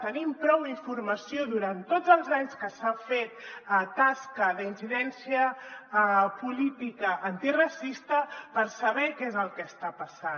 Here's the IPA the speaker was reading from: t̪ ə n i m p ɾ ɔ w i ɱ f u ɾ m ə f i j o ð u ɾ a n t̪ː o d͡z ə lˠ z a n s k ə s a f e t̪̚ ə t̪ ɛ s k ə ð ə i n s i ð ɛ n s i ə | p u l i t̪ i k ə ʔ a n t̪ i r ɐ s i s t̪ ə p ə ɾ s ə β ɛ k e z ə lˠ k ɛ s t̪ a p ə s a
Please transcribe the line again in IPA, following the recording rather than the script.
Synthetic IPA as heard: t̪ ə n i m p ɾ ɔ w i ɱ f u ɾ m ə s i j o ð u ɾ a n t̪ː o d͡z ə lˠ z a ɲ s k ə s a f e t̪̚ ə t̪ a s k ə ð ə i n s i ð ɛ n s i ə | p u l i t̪ i k ə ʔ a n t̪ i r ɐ s i s t̪ ə p ə ɾ s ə β ɛ k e z ə lˠ k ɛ s t̪ a p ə s a